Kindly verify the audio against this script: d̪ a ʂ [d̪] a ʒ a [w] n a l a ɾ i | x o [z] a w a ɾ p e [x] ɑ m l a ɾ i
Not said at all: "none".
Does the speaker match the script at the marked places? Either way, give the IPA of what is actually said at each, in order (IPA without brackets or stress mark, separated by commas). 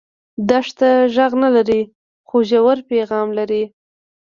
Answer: t̪, ɣ, ʒ, ɣ